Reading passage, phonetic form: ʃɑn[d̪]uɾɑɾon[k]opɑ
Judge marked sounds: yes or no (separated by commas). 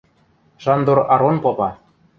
yes, no